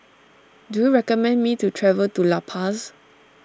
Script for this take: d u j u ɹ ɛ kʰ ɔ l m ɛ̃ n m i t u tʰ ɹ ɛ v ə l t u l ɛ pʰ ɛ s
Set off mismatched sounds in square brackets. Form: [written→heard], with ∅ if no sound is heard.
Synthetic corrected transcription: d u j u ɹ ɛ [kʰ→k] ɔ [l→∅] m ɛ̃ n m i t u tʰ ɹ ɛ v ə l t u l [ɛ→a] pʰ [ɛ→a] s

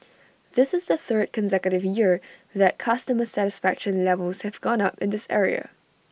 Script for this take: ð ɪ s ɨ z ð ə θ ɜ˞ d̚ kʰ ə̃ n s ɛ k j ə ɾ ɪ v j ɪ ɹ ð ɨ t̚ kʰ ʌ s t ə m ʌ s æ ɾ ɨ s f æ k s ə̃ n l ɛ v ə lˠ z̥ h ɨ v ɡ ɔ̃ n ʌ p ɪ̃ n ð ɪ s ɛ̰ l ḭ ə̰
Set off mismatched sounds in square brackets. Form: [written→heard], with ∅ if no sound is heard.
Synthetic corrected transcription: ð ɪ s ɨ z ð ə θ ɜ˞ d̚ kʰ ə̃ n s ɛ k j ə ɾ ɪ v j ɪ ɹ ð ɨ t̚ kʰ ʌ s t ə m [ʌ→ə] s æ ɾ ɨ s f æ k [s→ʃ] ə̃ n l ɛ v ə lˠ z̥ h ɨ v ɡ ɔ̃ n ʌ p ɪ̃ n ð ɪ s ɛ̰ [l→ɹ] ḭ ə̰

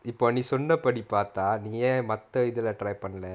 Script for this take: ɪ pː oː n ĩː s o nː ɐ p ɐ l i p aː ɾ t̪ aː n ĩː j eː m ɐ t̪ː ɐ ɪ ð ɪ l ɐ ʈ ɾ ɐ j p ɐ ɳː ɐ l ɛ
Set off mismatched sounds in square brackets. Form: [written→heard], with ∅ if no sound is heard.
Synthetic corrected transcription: ɪ pː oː n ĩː s [o→ɔ] nː ɐ p ɐ [l→ɽ] i p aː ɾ t̪ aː n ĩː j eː m ɐ t̪ː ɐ ɪ ð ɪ l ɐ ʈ ɾ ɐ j p ɐ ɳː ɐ l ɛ

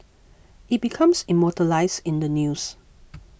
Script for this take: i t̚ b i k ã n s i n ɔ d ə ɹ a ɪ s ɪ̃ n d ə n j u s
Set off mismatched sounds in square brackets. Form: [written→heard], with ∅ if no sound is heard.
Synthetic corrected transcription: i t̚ b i [k→kʰ] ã [n→m] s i [n→m] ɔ [d→t] ə [ɹ→l] a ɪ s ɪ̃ n d ə n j u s

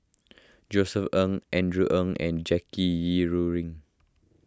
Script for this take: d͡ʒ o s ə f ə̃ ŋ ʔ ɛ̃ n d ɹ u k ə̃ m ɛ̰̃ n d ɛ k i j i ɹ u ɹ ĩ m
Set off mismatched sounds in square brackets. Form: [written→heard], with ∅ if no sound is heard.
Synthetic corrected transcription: d͡ʒ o s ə f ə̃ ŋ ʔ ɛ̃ n d ɹ u [k→ʔ] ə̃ [m→ŋ] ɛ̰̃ n [d→d͡ʒ] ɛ k i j i ɹ u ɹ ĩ [m→ŋ]

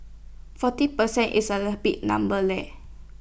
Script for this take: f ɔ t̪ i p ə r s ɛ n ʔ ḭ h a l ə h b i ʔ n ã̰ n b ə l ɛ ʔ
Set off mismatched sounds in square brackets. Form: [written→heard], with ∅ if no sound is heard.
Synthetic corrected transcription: f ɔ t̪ i p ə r s ɛ n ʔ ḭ [h→s] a l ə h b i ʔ n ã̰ [n→m] b ə l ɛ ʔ

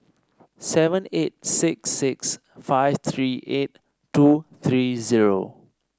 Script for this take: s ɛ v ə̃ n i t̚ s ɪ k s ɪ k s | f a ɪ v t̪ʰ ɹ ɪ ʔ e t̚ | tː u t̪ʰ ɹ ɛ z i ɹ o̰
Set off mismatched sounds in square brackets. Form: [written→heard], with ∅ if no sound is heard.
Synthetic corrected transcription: s ɛ v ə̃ n [i→e] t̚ s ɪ k s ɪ k s | f a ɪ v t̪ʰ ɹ [ɪ→i] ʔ e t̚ | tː u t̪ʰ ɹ [ɛ→i] z i ɹ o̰

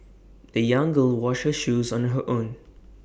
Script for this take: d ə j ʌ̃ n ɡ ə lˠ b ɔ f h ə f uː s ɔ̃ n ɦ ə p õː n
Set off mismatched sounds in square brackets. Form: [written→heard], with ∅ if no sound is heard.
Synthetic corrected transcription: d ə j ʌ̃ [n→ŋ] ɡ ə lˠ [b→w] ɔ [f→ʃ] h ə [f→ʃ] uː [s→z] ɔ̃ n ɦ ə [p→ʔ] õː n

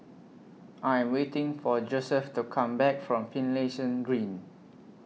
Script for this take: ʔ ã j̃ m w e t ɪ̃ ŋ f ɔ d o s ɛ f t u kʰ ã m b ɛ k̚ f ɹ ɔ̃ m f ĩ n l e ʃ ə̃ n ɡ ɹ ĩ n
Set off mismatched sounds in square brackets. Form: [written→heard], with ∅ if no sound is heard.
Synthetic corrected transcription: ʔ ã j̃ m w e t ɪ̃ ŋ f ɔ [d→d͡ʒ] o s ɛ f t u kʰ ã m b ɛ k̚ f ɹ ɔ̃ m f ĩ n l e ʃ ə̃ n ɡ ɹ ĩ n

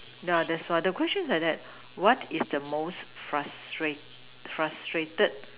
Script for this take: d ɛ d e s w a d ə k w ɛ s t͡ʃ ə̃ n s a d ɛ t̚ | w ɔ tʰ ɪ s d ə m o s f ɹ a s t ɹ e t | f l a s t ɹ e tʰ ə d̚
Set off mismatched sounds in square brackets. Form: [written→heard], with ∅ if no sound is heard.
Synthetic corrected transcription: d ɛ d [e→ɛ] s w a d ə k w ɛ s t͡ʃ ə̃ n s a d ɛ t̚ | w ɔ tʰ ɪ s d ə m o s f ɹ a s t ɹ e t | f [l→ɹ] a s t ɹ e [tʰ→t] ə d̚

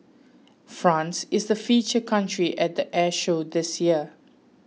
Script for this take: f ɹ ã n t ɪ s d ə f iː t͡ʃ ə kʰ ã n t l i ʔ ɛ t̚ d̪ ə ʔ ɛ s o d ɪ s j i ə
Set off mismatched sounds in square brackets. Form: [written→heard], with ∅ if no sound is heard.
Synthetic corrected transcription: f ɹ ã n [t→s] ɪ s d ə f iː t͡ʃ ə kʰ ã n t [l→ɹ] i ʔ ɛ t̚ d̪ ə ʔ ɛ [s→ʃ] o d ɪ s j i ə

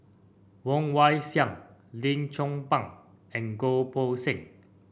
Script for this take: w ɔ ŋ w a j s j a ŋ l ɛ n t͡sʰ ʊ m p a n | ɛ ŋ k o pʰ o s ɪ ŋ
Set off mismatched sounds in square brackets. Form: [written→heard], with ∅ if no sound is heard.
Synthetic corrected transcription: w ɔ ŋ w a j s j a ŋ l [ɛ→i] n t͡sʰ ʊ [m→ŋ] p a [n→ŋ] | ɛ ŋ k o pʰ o s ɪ ŋ

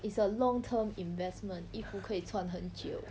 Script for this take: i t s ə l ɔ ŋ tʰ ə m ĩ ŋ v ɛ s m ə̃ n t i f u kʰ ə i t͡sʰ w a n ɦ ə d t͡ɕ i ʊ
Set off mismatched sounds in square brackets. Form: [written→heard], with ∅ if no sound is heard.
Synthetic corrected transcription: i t s ə l ɔ ŋ tʰ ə m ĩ [ŋ→n] v ɛ s m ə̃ n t i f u kʰ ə i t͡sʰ w a n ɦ ə [d→n] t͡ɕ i ʊ

